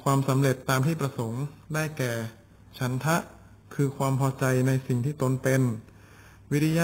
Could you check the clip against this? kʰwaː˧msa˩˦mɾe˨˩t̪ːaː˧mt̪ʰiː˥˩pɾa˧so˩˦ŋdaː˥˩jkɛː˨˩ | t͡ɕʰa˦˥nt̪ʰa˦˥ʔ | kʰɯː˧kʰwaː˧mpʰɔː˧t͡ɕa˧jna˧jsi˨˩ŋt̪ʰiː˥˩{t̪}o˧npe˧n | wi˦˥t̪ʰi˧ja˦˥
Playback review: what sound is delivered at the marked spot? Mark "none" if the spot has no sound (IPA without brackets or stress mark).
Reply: t̪